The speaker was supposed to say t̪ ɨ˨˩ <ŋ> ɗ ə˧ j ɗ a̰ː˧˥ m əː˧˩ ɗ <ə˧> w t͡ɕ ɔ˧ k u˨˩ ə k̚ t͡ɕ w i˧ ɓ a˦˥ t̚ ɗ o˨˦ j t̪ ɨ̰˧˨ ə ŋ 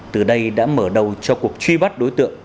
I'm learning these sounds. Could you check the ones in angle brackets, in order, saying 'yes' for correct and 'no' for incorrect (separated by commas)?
no, no